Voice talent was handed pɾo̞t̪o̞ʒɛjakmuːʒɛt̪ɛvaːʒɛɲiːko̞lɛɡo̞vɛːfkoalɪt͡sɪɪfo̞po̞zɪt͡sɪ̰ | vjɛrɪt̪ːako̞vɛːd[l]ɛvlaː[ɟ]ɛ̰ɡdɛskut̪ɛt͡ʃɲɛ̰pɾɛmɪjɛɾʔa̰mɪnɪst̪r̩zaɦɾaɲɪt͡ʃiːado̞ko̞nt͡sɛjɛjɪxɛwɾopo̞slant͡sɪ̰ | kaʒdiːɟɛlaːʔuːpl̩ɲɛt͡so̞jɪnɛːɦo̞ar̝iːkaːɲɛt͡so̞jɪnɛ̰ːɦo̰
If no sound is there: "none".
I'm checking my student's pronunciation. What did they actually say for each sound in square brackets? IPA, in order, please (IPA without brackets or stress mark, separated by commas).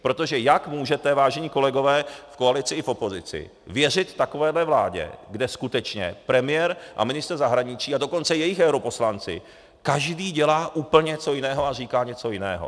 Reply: l, ɟ